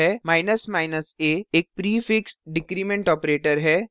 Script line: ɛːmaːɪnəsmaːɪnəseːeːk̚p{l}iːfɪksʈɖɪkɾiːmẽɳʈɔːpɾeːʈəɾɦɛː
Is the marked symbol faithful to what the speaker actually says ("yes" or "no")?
no